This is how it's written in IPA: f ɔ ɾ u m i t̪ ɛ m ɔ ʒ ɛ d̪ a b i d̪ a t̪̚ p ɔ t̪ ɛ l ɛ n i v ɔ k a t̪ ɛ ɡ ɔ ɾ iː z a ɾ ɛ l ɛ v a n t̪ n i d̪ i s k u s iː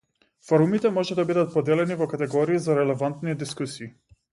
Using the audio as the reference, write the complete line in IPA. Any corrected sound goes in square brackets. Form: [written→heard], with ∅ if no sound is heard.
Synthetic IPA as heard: f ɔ ɾ u m i t̪ ɛ m ɔ ʒ ɛ d̪ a b i d̪ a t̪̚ p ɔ [t̪→d̪] ɛ l ɛ n i v ɔ k a t̪ ɛ ɡ ɔ ɾ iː z a ɾ ɛ l ɛ v a n t̪ n i d̪ i s k u s iː